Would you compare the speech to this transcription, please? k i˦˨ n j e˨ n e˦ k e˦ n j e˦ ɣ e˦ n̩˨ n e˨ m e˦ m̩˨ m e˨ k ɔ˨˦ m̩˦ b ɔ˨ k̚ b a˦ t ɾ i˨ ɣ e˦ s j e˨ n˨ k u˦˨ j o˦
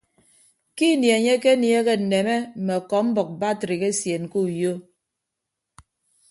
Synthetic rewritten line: k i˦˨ n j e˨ ɲ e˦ k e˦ n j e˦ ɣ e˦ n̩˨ n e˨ m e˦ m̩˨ m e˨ k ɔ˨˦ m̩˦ b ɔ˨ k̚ b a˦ t ɾ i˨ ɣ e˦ s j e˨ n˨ k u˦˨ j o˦